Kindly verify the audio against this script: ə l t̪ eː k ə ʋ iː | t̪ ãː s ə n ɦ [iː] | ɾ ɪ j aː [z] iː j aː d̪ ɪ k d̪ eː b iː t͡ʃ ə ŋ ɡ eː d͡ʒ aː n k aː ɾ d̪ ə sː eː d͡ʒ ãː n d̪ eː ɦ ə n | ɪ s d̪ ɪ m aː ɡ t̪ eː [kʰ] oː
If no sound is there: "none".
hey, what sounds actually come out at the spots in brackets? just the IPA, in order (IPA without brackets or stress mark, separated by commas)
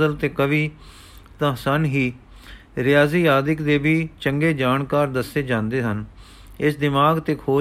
iː, z, kʰ